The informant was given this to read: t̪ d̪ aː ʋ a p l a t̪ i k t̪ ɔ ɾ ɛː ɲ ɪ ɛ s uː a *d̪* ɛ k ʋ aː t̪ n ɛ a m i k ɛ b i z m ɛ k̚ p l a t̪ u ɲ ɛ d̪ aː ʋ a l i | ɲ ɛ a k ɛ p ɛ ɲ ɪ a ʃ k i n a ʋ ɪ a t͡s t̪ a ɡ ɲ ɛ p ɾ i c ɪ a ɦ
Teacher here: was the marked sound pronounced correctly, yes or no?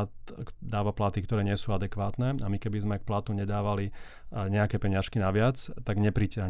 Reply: yes